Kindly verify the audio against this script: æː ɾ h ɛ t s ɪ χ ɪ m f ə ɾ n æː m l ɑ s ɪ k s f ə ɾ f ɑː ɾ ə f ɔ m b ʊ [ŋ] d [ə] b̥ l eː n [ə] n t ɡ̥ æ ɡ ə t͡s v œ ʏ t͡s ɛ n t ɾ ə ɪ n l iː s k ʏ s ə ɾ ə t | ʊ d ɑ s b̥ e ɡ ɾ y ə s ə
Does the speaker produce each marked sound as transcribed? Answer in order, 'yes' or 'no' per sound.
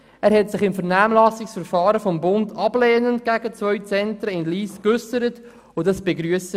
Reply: no, no, yes

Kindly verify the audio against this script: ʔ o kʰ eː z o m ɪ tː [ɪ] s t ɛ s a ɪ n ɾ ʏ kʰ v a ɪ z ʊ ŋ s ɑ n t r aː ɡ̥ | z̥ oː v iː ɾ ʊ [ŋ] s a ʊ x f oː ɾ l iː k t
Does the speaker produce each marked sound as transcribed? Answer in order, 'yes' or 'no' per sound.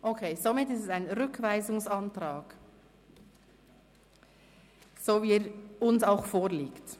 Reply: yes, no

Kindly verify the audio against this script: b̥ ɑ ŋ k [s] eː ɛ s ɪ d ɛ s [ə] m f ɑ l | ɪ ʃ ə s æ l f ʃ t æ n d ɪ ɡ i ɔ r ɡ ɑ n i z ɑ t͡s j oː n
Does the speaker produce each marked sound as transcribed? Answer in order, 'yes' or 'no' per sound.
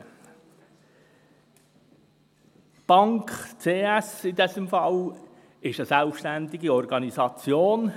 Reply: no, yes

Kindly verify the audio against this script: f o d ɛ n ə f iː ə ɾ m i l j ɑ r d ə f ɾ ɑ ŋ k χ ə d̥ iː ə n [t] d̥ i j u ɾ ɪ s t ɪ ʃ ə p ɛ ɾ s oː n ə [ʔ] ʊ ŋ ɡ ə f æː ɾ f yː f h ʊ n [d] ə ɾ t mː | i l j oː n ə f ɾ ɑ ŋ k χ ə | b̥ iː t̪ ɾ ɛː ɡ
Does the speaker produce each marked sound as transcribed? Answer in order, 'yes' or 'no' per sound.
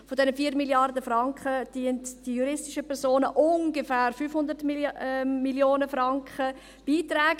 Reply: yes, yes, yes

